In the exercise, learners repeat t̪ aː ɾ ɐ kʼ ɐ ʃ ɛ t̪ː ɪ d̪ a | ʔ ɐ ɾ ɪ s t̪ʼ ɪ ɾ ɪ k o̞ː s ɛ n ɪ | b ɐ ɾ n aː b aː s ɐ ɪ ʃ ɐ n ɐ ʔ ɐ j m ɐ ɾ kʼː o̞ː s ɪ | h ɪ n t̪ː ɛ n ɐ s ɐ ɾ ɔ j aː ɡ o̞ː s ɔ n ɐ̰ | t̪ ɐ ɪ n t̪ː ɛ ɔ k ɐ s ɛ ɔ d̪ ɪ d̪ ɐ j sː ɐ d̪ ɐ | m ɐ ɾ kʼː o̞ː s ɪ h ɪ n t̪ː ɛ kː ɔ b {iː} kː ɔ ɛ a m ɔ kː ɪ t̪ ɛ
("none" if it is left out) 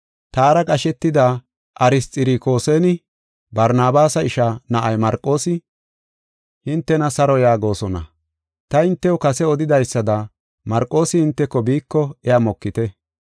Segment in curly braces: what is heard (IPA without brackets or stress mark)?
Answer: iː